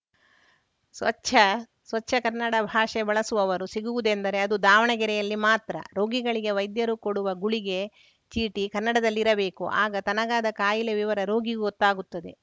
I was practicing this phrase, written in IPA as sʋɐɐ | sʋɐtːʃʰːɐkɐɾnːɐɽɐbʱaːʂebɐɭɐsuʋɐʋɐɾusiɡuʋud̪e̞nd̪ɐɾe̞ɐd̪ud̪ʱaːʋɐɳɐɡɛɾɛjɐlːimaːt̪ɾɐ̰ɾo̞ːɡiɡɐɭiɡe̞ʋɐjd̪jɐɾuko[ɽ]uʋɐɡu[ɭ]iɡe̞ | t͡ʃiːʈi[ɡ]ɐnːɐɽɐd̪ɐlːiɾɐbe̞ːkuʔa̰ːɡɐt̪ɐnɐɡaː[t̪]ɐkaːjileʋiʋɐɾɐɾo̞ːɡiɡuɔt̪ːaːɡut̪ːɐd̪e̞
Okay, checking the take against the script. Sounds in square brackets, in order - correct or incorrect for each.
correct, correct, incorrect: k, incorrect: d̪

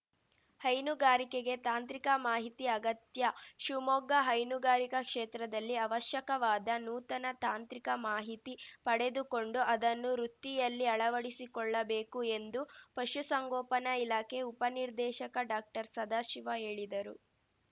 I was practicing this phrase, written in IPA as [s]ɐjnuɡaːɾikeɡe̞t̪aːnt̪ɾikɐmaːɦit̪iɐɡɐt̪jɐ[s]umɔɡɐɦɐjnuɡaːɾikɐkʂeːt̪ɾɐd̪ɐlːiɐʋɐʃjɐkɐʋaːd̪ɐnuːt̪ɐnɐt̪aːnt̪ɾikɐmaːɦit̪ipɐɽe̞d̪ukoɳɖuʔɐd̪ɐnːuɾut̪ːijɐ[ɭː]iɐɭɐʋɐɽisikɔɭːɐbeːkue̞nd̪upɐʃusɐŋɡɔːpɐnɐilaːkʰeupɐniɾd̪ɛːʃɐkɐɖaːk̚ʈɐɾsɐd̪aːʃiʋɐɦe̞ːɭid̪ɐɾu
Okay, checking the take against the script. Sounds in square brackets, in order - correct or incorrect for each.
incorrect: h, incorrect: ʃ, incorrect: lː

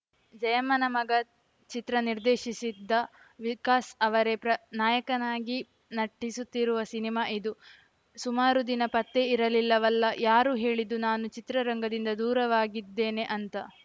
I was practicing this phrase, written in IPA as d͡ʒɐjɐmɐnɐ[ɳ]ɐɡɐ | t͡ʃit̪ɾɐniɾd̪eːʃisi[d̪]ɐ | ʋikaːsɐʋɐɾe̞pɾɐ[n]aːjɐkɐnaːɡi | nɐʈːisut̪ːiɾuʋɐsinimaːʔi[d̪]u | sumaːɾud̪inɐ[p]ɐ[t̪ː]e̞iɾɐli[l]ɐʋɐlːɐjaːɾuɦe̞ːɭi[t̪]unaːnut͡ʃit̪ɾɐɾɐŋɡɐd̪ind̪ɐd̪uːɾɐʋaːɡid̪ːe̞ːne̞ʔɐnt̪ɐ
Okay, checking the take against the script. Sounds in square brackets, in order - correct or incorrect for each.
incorrect: m, incorrect: d̪ː, correct, correct, correct, correct, incorrect: lː, incorrect: d̪

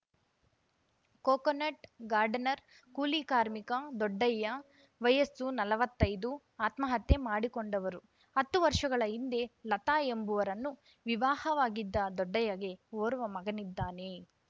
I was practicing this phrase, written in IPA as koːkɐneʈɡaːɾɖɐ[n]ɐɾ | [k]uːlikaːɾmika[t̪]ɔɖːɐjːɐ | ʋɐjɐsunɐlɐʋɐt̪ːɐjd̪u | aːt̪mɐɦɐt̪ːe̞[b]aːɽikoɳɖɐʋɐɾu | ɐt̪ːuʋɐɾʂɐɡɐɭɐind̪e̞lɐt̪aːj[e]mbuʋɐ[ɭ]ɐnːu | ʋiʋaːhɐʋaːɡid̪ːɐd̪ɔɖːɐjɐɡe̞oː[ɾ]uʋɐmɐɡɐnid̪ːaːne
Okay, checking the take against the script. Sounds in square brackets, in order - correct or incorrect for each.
correct, correct, incorrect: d̪, incorrect: m, correct, incorrect: ɾ, correct

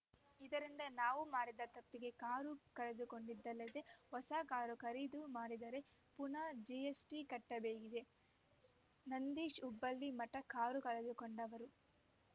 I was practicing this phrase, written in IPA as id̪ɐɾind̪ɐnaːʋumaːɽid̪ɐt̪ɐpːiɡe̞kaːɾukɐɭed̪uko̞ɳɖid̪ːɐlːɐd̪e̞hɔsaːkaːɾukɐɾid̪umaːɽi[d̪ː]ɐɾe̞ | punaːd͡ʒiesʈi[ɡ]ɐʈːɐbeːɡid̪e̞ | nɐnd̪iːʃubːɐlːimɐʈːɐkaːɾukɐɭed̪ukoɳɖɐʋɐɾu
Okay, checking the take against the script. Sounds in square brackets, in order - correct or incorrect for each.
incorrect: d̪, incorrect: k

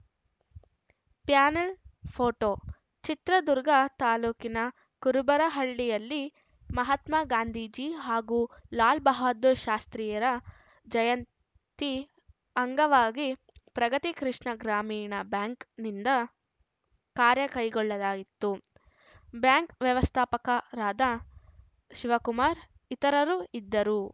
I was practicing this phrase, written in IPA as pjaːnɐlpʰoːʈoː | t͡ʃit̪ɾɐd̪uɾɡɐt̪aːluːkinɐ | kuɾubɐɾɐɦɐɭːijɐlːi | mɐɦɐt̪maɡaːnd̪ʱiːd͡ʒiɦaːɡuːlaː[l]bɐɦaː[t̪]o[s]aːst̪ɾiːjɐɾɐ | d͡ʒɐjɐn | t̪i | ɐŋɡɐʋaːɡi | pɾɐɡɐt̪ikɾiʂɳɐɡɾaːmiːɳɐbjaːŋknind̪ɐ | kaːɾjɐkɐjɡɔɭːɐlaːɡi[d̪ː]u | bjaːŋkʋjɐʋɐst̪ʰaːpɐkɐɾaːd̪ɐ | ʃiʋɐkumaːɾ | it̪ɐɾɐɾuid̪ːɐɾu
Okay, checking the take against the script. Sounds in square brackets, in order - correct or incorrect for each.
correct, incorrect: d̪, incorrect: ʃ, incorrect: t̪ː

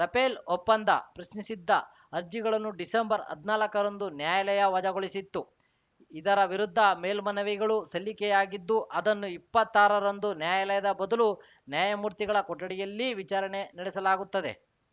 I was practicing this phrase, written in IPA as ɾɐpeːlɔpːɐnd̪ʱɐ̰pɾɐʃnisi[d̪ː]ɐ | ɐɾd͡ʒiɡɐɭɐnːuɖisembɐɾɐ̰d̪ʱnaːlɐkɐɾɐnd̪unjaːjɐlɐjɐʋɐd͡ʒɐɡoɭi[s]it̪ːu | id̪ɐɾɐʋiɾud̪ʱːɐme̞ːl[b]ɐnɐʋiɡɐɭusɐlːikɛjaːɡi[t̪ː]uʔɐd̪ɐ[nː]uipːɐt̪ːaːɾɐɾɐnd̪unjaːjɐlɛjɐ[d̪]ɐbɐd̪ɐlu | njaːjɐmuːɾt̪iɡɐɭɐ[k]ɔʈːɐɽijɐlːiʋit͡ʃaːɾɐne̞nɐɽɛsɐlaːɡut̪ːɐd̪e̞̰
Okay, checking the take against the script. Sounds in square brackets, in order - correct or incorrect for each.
correct, correct, incorrect: m, incorrect: d̪ː, correct, correct, correct

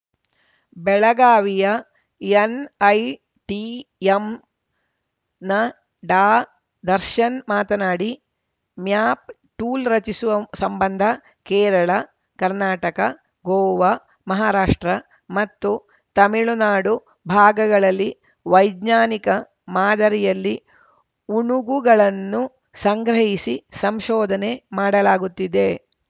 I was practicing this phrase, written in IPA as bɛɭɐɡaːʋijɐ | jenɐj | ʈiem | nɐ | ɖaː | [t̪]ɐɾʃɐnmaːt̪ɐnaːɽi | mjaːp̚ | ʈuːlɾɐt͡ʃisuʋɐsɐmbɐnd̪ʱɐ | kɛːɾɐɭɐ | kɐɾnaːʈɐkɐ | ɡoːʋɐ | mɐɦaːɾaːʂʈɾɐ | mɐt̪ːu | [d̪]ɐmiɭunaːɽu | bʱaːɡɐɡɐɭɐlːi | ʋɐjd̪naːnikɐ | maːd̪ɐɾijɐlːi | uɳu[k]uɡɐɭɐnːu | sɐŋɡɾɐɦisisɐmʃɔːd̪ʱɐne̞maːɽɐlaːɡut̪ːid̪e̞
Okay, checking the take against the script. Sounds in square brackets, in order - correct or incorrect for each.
incorrect: d̪, incorrect: t̪, incorrect: ɡ

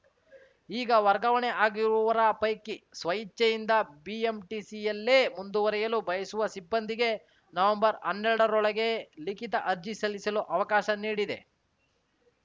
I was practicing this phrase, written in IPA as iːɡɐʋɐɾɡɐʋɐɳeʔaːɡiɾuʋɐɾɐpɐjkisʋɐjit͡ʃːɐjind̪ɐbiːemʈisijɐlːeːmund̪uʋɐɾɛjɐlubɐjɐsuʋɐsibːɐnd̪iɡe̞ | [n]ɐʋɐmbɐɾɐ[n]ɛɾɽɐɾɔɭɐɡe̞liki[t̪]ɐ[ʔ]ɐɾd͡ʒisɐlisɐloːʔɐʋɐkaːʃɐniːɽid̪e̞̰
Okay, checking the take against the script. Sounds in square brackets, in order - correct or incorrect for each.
correct, incorrect: nː, correct, correct

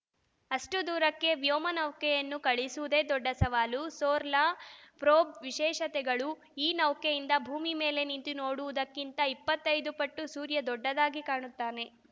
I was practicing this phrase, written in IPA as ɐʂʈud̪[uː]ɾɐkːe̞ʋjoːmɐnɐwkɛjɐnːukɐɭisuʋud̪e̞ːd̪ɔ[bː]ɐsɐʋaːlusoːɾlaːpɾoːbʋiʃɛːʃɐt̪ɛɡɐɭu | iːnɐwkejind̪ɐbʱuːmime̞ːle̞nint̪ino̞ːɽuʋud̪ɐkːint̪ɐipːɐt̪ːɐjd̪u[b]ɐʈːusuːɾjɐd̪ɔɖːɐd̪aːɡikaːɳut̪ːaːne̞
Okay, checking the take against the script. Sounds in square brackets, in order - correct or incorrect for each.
correct, incorrect: ɖː, incorrect: p

